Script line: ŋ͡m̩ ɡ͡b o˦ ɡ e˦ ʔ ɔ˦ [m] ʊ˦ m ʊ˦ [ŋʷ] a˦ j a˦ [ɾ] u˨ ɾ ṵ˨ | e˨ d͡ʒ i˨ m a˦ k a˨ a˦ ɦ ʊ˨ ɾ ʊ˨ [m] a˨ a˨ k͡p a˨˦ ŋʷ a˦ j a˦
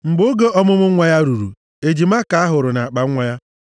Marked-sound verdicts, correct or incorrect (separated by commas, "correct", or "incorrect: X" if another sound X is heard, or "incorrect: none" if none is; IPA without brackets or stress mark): correct, correct, correct, incorrect: n